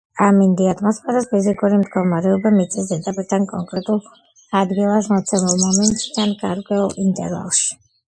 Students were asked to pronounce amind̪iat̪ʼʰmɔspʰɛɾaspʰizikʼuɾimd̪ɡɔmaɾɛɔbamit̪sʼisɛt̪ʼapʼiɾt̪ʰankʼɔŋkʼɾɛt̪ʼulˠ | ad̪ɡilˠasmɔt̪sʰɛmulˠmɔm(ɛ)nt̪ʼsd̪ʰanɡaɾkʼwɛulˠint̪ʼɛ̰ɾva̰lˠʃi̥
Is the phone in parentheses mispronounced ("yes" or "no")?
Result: no